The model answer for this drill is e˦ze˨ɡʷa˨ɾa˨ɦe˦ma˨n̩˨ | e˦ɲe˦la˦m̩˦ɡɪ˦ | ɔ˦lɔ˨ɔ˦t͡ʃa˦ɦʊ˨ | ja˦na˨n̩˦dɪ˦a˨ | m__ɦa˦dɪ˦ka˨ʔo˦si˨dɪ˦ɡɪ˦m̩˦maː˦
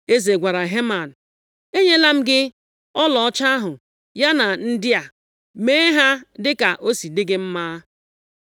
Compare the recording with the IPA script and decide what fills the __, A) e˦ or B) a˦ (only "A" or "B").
A